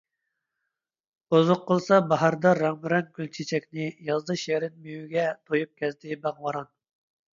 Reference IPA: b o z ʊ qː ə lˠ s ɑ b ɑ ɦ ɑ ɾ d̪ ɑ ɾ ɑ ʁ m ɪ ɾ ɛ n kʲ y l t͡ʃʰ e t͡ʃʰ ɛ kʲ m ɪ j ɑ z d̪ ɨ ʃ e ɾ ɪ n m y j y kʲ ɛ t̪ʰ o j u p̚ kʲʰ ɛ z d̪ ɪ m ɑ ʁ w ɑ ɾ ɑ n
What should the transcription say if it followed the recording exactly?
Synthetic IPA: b o z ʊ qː ə lˠ s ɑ b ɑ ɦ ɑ ɾ d̪ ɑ ɾ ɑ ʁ m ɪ ɾ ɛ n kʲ y l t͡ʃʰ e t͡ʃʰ ɛ kʲ n ɪ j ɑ z d̪ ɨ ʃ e ɾ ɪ n m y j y ɡʲ ɛ t̪ʰ o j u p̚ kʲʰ ɛ z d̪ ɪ b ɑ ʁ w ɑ ɾ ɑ n